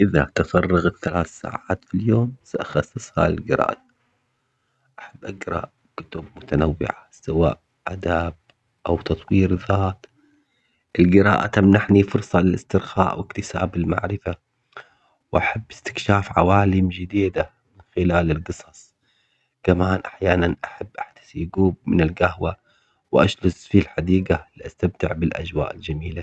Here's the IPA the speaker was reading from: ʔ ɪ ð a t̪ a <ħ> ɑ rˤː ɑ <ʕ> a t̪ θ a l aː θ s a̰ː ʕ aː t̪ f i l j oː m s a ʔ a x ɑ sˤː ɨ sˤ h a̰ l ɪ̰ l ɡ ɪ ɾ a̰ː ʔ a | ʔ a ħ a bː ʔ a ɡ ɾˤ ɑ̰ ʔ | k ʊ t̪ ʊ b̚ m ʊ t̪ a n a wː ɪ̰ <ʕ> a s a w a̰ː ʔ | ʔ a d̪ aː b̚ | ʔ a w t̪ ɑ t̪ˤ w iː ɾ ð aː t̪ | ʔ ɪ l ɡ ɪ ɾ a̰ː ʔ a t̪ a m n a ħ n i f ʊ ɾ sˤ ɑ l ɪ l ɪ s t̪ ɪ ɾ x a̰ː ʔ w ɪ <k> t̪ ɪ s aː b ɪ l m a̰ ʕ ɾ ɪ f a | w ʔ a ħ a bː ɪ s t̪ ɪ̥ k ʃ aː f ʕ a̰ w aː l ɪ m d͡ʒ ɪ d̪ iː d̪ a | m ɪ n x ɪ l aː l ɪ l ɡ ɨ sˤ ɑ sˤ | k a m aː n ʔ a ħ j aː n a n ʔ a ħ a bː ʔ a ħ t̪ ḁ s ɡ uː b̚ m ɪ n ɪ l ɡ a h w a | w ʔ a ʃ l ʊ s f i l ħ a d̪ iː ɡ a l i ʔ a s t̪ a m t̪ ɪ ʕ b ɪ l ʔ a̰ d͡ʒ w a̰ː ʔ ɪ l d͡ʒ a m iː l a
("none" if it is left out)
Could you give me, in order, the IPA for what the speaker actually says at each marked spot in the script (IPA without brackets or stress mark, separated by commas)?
f, ɣ, ʕ, k